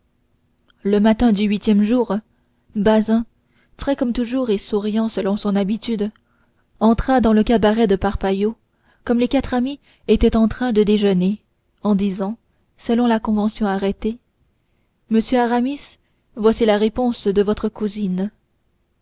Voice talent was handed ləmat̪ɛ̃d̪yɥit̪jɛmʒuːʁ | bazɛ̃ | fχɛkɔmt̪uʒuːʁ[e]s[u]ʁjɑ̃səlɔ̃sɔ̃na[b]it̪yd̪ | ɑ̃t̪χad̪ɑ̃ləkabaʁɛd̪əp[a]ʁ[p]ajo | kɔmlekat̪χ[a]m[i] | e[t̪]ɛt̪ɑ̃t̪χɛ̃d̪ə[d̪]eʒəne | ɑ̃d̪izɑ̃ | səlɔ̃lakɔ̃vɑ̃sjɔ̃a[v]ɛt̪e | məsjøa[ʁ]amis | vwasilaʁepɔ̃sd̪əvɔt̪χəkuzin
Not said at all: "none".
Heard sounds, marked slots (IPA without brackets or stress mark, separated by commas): e, u, b, a, p, a, i, t̪, d̪, ʁ, ʁ